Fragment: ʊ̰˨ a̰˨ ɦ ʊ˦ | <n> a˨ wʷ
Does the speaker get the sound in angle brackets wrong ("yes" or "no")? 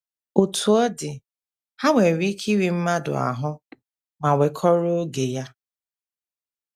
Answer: yes